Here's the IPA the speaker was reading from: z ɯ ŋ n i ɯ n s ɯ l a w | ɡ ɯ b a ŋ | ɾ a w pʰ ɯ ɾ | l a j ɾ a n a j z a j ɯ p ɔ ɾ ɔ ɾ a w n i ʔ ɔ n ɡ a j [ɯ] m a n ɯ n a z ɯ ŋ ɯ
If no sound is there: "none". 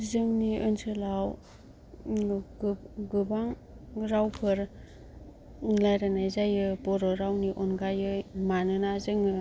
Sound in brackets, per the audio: ɯ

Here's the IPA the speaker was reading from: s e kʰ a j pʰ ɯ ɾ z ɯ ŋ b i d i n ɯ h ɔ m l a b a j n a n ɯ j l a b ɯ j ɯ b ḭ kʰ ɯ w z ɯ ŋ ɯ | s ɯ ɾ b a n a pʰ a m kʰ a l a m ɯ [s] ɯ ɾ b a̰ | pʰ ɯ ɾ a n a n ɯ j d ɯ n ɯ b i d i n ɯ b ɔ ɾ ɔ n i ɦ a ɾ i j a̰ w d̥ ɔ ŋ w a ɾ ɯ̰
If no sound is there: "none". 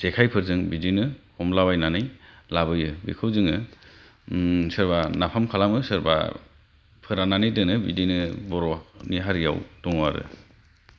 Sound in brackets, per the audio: s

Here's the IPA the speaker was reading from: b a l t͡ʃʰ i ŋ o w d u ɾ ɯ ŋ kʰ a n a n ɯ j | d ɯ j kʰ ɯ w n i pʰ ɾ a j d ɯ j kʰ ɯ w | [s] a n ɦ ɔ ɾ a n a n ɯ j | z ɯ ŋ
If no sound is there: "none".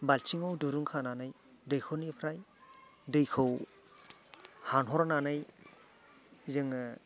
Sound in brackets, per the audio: h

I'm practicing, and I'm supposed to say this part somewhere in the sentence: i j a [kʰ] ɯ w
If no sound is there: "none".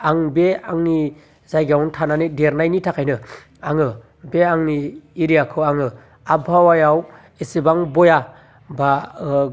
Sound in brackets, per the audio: kʰ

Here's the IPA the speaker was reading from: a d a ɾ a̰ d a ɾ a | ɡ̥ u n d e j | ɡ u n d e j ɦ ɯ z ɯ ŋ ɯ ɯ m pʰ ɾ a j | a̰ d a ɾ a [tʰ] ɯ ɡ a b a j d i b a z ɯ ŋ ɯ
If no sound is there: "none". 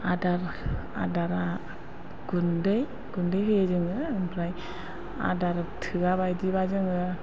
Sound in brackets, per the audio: tʰ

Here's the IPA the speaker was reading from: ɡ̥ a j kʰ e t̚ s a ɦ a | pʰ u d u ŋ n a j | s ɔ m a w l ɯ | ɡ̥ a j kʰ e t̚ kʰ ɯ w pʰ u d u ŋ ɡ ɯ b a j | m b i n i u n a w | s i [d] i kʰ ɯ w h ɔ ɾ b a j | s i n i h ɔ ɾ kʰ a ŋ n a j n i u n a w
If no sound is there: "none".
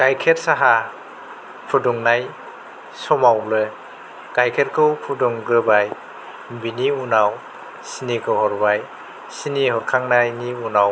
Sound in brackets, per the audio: n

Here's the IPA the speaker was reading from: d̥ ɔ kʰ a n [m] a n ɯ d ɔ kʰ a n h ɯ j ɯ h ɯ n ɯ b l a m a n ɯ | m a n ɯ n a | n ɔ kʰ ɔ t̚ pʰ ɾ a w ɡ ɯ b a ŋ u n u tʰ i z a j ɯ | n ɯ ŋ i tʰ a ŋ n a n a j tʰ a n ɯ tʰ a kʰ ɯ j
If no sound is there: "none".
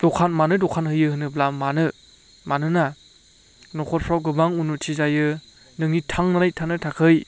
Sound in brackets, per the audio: m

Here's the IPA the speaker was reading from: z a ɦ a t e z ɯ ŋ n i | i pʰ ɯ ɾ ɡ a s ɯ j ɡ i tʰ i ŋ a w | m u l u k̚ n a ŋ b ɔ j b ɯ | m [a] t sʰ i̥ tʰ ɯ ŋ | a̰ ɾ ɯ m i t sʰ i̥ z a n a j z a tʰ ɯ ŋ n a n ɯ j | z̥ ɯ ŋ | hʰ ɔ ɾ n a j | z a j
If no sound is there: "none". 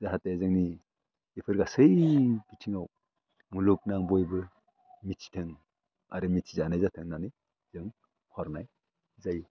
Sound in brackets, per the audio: i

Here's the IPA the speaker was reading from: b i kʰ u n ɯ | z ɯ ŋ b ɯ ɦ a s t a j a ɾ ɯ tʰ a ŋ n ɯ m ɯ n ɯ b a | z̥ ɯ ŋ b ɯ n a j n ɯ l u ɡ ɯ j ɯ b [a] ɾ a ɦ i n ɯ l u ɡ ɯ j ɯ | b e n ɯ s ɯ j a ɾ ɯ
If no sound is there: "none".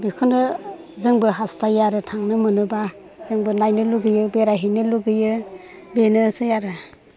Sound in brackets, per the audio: e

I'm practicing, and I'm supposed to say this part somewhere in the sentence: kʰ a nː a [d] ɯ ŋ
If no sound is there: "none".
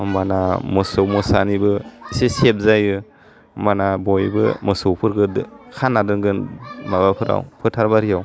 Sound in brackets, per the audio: d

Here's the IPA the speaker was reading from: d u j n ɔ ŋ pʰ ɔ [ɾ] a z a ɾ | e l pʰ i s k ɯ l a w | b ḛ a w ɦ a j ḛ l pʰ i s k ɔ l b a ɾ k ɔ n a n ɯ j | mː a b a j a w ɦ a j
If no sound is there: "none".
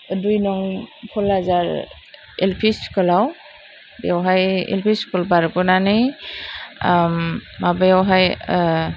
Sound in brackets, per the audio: l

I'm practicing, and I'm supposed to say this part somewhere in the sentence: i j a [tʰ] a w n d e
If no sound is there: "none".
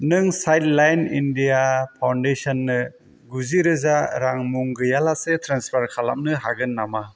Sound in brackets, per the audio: pʰ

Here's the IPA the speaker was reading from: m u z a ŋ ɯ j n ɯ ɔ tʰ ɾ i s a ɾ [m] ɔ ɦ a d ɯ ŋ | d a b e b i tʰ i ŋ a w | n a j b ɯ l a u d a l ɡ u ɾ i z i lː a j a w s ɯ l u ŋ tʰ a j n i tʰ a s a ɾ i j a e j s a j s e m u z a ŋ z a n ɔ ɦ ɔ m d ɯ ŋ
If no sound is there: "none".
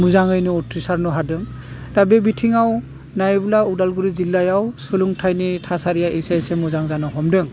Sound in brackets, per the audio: n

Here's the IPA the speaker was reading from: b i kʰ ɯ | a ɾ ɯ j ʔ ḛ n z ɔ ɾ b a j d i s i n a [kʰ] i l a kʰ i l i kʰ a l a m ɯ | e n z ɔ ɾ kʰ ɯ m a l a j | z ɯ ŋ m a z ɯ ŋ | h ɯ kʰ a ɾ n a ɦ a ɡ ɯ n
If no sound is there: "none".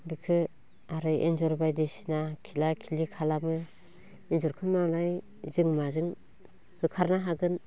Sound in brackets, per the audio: kʰ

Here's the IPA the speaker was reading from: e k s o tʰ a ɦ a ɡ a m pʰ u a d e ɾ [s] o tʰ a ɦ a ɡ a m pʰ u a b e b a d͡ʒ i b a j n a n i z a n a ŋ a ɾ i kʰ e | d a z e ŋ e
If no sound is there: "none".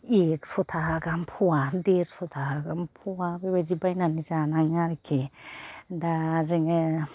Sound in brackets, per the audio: s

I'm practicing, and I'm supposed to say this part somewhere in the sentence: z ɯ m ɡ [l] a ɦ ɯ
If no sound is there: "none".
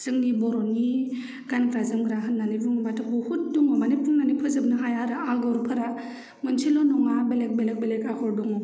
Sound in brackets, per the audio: ɾ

